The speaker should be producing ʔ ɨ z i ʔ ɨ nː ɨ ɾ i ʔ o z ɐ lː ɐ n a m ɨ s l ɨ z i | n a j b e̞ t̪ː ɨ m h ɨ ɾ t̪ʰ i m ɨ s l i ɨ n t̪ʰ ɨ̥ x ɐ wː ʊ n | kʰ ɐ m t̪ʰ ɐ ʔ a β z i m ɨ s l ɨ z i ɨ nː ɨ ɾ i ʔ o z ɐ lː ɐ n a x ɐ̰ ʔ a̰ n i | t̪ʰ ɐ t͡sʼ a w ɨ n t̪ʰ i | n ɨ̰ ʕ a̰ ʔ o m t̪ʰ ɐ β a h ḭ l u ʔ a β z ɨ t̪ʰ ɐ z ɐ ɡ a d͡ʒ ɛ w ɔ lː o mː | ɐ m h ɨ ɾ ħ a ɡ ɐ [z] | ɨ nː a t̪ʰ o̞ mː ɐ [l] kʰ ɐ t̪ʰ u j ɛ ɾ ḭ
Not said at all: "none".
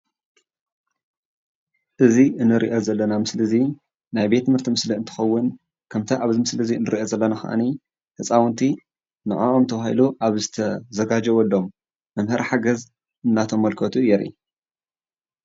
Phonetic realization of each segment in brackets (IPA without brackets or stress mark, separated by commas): z, l